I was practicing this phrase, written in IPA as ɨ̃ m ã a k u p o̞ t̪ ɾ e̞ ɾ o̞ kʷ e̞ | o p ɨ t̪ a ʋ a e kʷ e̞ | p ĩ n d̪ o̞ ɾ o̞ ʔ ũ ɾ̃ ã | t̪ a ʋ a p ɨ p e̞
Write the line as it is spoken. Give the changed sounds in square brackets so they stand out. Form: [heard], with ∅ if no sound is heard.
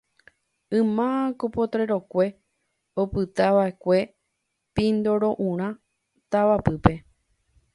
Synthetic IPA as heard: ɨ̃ m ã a k [o] p o̞ t̪ ɾ e̞ ɾ o̞ kʷ e̞ | o p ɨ t̪ a ʋ a e kʷ e̞ | p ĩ n d̪ o̞ ɾ o̞ ʔ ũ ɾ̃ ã | t̪ a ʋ a p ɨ p e̞

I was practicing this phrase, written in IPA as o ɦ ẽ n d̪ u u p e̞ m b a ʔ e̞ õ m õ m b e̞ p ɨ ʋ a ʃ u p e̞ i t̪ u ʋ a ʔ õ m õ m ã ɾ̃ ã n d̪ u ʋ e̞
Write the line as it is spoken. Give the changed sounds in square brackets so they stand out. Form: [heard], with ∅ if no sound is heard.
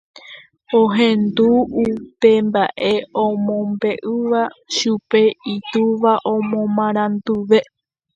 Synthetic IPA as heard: o ɦ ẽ n d̪ u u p e̞ m b a ʔ e̞ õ m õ m b e̞ [ʔ] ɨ ʋ a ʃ u p e̞ i t̪ u ʋ a ʔ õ m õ m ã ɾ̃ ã n d̪ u ʋ e̞

